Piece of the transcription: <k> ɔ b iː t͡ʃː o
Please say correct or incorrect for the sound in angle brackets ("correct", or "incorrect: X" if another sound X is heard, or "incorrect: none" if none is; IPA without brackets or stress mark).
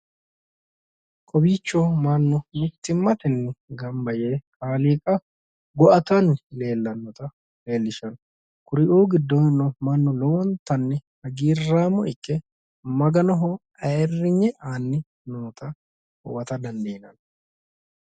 incorrect: kʼ